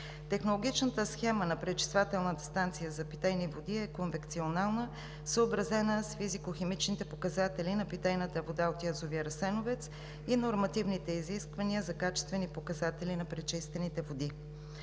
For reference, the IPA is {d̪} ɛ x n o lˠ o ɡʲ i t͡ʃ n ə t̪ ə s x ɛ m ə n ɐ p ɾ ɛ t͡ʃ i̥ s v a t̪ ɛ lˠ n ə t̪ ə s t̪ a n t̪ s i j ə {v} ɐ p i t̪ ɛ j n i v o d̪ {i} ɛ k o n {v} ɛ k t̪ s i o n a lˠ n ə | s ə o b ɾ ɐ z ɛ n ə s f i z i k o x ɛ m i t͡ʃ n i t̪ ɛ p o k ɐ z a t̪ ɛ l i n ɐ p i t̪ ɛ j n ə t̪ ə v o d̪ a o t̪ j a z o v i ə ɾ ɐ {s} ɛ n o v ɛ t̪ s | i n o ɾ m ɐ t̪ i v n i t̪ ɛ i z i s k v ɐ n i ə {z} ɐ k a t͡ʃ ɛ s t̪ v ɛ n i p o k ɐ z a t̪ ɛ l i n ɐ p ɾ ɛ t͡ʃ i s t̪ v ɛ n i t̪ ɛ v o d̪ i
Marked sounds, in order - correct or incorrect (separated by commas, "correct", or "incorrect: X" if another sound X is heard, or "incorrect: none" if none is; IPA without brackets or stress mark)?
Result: incorrect: t̪, incorrect: z, correct, correct, correct, correct